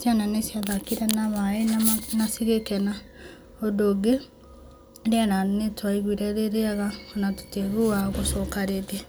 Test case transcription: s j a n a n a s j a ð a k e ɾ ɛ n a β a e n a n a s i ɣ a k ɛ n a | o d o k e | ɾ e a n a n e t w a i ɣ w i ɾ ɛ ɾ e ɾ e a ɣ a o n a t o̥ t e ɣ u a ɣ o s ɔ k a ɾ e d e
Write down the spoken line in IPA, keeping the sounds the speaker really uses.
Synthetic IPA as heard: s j a n a n e s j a ð a k i ɾ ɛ n a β a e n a n a s i ɣ e k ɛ n a | o d o ɡ e | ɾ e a n a n e t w a i ɣ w i ɾ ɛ ɾ e ɾ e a ɣ a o n a t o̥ t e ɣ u a ɣ o s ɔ k a ɾ e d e